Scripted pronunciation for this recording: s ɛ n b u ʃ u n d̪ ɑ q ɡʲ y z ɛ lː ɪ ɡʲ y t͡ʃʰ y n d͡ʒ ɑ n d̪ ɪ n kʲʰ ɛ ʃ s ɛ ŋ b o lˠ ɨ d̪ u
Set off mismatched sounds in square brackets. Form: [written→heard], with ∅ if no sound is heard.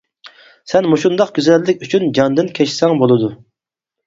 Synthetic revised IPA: s ɛ n [b→m] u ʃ u n d̪ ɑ q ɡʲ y z ɛ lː ɪ [ɡʲ→kʲ] y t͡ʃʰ y n d͡ʒ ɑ n d̪ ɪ n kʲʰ ɛ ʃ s ɛ ŋ b o lˠ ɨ d̪ u